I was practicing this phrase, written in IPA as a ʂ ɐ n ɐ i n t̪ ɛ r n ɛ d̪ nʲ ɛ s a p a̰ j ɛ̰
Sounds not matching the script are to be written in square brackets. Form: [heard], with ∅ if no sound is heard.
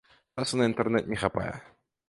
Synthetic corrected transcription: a [s] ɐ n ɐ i n t̪ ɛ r n ɛ [t̪] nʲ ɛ [x] a p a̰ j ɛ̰